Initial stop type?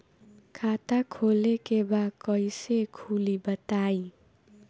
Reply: aspirated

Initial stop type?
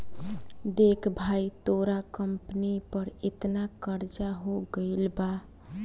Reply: plain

